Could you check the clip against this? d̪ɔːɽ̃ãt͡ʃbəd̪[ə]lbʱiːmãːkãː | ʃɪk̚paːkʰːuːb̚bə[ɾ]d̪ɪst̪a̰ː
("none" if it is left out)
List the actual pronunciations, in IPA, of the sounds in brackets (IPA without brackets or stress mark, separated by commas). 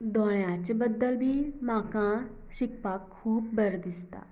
ə, ɾ